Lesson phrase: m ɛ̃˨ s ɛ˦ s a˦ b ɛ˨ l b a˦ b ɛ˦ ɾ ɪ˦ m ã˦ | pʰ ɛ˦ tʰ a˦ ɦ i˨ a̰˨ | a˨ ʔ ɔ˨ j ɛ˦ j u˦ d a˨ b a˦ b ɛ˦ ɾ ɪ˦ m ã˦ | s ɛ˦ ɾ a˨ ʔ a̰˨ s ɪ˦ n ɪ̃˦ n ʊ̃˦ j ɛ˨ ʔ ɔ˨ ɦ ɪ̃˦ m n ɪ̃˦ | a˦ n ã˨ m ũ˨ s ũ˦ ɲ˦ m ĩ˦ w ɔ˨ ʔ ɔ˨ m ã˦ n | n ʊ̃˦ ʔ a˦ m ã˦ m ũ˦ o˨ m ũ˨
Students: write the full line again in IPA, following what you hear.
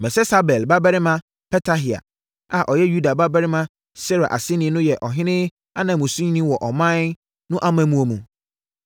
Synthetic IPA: m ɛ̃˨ s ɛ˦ s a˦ b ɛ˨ l b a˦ b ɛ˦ ɾ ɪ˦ m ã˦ | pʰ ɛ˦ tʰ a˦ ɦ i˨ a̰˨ | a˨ ʔ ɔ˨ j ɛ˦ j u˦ d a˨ b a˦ b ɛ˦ ɾ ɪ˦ m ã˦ | s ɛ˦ ɾ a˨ ʔ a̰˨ s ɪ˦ n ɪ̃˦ n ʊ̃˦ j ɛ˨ ʔ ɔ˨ ɦ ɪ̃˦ n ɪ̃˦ | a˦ n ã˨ m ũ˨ s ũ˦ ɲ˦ n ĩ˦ w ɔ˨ ʔ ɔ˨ m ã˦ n | n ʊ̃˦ ʔ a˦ m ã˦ m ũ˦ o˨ m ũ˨